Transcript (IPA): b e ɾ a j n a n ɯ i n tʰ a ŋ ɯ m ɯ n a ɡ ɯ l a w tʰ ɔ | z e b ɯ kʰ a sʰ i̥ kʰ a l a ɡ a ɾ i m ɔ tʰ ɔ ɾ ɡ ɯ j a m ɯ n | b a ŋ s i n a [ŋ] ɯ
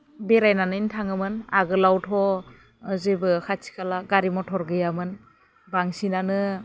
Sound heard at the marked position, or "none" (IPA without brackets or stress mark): n